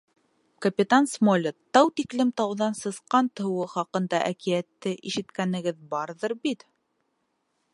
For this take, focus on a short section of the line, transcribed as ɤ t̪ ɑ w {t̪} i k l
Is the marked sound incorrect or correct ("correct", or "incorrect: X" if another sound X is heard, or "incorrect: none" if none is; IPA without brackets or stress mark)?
correct